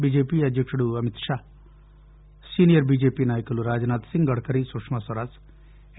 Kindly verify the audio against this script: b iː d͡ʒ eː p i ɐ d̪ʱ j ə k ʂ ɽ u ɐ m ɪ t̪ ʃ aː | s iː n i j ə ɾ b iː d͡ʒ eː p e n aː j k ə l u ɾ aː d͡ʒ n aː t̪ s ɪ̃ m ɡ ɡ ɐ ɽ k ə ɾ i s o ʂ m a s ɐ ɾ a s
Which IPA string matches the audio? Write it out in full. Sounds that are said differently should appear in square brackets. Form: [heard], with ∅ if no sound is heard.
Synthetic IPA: b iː d͡ʒ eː p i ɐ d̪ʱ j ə k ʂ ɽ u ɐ m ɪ t̪ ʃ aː | s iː n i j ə ɾ b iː d͡ʒ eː p [i] n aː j k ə l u ɾ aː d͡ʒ n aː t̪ s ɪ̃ [ŋ] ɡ ɡ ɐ ɽ k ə ɾ i s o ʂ m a s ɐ ɾ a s

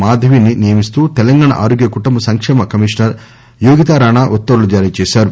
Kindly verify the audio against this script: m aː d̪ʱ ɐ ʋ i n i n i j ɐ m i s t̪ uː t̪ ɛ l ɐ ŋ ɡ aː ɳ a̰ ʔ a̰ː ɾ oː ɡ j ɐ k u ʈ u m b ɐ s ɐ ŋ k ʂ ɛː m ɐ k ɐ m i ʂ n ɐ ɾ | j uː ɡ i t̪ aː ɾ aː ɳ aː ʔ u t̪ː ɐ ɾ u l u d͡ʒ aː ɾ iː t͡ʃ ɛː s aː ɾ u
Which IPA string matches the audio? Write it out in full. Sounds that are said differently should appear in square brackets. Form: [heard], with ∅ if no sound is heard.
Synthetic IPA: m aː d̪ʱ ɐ ʋ i n i n i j ɐ m i s t̪ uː t̪ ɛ l ɐ ŋ ɡ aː ɳ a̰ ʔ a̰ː ɾ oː ɡ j ɐ k u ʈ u m b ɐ s ɐ ŋ k ʂ ɛː m ɐ k ɐ m i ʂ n ɐ ɾ | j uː ɡ i t̪ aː ɾ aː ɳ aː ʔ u t̪ː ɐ ɾ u l u d͡ʒ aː ɾ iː t͡ʃ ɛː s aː ɾ u

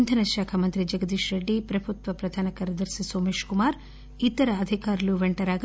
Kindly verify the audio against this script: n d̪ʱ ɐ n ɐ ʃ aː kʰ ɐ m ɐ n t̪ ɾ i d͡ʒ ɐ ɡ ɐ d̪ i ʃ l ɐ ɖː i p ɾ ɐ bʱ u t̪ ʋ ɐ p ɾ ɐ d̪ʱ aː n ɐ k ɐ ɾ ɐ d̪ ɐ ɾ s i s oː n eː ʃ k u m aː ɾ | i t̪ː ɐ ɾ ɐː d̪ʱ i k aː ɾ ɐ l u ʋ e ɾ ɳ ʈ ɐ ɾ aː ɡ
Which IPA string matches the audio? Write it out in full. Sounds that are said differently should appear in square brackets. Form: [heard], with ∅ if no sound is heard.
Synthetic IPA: n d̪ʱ ɐ n ɐ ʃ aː kʰ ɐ m ɐ n t̪ ɾ i d͡ʒ ɐ ɡ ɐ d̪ i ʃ [ɾ] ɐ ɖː i p ɾ ɐ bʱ u t̪ ʋ ɐ p ɾ ɐ d̪ʱ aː n ɐ k ɐ ɾ ɐ d̪ ɐ ɾ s i s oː [m] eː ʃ k u m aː ɾ | i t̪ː ɐ ɾ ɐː d̪ʱ i k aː ɾ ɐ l u ʋ e [∅] ɳ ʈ ɐ ɾ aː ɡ

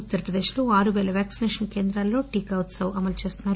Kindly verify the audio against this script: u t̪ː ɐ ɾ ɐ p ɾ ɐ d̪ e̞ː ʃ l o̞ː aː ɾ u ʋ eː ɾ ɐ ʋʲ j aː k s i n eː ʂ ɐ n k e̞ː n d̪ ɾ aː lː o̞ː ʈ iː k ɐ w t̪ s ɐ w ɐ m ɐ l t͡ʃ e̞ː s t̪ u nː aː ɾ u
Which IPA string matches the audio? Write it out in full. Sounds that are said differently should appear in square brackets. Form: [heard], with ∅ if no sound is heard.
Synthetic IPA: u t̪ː ɐ ɾ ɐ p ɾ ɐ d̪ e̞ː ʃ l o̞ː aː ɾ u ʋ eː [l] ɐ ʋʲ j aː k s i n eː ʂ ɐ n k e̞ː n d̪ ɾ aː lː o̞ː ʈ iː k ɐ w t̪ s ɐ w ɐ m ɐ l t͡ʃ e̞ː s t̪ u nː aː ɾ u

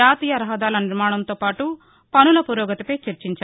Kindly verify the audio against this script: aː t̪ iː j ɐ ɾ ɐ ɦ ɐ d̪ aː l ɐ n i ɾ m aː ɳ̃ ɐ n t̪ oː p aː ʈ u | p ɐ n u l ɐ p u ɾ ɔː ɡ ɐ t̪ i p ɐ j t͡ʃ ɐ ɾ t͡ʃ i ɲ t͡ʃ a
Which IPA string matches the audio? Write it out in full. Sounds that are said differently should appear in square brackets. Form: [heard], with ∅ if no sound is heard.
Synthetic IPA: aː t̪ iː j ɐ ɾ ɐ ɦ ɐ d̪ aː l ɐ n i ɾ m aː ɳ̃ ɐ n t̪ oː p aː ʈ u | p ɐ n u l ɐ p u ɾ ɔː ɡ ɐ t̪ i p ɐ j t͡ʃ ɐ ɾ t͡ʃ i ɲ t͡ʃ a

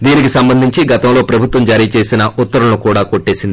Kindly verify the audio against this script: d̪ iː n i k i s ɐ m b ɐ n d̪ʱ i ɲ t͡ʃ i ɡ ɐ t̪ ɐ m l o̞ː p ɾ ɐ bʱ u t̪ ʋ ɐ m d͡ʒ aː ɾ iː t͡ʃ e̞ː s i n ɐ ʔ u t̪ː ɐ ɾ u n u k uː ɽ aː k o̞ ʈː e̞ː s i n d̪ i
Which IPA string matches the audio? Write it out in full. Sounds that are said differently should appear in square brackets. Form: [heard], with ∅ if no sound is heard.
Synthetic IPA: d̪ iː n i k i s ɐ m b ɐ n d̪ʱ i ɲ t͡ʃ i ɡ ɐ t̪ ɐ m l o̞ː p ɾ ɐ bʱ u t̪ ʋ ɐ m d͡ʒ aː ɾ iː t͡ʃ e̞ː s i n ɐ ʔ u t̪ː ɐ ɾ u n u k uː ɽ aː k o̞ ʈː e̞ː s i n d̪ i

